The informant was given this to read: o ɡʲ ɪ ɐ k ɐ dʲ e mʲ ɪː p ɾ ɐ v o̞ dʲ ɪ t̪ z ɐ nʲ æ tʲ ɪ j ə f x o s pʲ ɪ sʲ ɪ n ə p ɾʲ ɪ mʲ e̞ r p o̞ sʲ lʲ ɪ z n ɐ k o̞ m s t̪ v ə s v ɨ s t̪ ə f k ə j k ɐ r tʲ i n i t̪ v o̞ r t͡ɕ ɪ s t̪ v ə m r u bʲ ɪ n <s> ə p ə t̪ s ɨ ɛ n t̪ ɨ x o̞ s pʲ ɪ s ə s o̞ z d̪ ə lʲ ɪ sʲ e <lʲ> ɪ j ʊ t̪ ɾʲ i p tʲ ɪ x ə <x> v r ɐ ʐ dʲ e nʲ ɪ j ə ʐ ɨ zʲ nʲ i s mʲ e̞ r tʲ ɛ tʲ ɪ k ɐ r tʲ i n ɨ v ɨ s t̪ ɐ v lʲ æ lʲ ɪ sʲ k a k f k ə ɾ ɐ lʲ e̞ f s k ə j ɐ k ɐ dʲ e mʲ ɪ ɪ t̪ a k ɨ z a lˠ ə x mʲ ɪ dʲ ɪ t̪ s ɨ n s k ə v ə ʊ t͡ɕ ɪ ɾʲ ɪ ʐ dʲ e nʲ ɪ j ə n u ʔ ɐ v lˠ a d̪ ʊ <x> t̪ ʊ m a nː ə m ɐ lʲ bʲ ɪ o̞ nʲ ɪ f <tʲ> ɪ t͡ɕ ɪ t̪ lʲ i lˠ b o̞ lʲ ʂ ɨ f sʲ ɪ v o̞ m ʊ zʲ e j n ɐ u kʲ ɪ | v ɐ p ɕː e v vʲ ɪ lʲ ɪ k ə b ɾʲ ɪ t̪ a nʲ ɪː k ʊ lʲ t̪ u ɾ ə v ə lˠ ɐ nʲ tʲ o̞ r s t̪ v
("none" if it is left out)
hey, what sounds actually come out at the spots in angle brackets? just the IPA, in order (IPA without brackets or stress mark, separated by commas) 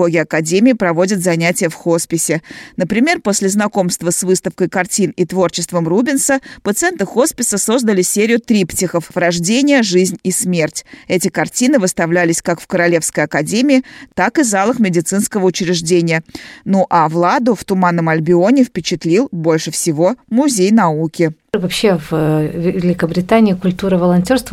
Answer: s, ɾʲ, f, f, pʲ